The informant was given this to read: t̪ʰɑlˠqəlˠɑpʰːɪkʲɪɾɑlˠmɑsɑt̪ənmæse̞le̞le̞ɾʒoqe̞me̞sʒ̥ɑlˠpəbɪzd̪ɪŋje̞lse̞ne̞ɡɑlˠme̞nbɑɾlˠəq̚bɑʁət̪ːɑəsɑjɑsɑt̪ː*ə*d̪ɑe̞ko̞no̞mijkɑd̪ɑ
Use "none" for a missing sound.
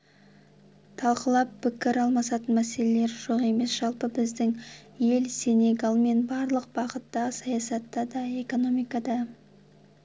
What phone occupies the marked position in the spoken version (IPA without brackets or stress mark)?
ɑ